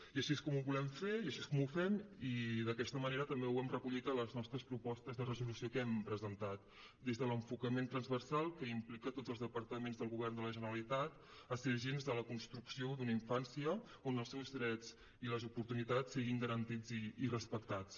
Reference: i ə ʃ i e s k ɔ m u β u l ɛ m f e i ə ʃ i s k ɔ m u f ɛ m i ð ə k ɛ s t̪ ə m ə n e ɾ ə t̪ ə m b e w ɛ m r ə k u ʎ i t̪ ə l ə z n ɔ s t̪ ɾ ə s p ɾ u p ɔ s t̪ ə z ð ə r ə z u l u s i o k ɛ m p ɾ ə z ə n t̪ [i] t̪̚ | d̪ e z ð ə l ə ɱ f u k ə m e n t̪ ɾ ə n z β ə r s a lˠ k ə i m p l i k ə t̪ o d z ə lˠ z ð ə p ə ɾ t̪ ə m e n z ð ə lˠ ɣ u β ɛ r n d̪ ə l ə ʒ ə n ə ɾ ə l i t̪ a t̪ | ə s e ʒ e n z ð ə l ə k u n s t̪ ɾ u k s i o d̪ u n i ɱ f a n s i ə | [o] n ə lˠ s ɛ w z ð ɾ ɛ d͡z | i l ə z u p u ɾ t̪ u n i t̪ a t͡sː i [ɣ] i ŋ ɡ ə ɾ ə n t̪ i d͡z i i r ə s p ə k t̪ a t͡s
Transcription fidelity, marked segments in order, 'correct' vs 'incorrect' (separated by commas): incorrect, correct, correct